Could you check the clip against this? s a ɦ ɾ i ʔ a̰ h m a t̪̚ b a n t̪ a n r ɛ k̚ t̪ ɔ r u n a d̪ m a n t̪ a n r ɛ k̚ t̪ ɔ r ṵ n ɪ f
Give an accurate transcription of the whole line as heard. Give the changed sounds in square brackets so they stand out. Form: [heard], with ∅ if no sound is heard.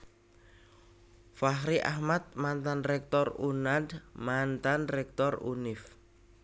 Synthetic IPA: [f] a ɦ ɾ i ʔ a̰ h m a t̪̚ [m] a n t̪ a n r ɛ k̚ t̪ ɔ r u n a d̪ m a n t̪ a n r ɛ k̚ t̪ ɔ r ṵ n ɪ f